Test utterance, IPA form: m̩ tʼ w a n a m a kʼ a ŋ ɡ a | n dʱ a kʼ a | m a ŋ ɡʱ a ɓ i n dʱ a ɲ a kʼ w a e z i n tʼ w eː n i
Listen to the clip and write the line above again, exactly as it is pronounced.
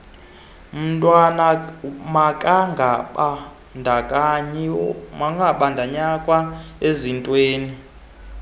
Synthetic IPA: m̩ tʼ w a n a m a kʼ a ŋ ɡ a | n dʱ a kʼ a | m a ŋ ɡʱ a ɓ a n dʱ a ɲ a kʼ w a e z i n tʼ w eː n i